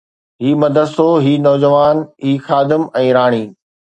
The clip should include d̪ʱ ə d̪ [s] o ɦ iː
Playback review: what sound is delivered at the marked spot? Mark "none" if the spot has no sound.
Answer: s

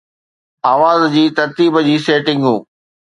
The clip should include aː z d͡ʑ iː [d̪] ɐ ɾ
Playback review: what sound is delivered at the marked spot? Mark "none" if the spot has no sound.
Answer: t̪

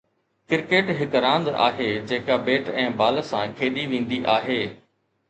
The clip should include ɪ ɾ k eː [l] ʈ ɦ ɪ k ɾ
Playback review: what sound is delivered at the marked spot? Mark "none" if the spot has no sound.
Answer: none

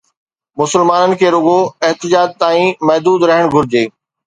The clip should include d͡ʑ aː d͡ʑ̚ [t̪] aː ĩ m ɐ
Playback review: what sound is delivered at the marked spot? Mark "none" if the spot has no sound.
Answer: t̪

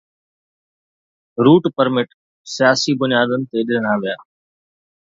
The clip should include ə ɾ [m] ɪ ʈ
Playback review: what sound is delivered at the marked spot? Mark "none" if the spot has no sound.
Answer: m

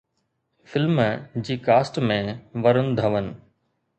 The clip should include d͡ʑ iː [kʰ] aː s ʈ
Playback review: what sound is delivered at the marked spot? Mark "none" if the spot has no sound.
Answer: k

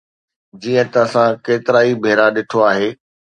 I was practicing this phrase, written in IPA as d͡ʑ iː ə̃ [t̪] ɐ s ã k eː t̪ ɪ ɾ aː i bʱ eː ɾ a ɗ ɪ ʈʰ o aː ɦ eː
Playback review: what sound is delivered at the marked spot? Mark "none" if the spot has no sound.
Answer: t̪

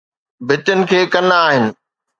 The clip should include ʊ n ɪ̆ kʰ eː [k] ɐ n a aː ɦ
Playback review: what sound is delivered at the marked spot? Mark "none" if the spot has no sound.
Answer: k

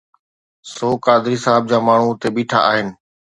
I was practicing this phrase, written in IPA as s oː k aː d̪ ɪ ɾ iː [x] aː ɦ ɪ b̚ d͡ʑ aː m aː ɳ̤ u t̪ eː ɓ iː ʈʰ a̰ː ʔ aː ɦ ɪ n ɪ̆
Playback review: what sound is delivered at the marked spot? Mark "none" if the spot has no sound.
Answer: s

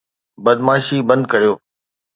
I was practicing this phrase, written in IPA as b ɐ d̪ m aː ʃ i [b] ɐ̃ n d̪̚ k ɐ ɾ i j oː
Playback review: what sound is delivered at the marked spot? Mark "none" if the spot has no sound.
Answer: b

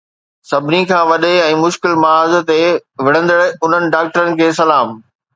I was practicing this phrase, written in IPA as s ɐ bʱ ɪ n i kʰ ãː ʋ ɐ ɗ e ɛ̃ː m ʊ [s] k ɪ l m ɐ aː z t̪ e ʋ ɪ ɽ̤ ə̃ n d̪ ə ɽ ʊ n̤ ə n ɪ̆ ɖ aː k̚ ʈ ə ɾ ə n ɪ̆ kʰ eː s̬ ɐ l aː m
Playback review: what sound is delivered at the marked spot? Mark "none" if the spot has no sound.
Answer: ʃ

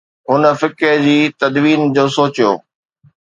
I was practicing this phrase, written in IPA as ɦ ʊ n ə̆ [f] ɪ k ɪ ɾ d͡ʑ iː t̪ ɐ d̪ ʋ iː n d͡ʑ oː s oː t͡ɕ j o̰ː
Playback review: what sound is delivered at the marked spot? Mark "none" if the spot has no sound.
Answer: f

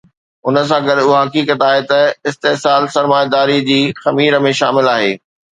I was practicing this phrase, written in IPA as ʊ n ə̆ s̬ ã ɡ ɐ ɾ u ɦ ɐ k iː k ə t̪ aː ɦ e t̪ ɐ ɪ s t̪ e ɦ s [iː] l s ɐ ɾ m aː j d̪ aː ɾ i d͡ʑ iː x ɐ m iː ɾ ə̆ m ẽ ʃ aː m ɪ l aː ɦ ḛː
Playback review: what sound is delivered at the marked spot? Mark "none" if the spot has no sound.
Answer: aː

